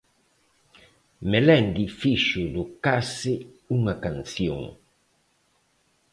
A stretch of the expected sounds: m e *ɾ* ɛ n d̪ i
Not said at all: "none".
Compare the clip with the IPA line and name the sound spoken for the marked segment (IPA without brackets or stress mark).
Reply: l